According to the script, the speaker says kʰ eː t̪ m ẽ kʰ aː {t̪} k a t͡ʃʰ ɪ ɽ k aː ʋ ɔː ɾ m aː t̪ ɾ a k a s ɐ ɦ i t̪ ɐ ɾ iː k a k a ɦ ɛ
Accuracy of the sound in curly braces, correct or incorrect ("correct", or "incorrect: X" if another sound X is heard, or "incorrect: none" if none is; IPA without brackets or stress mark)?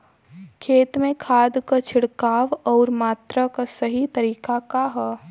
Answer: incorrect: d̪